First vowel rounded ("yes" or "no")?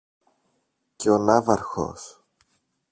no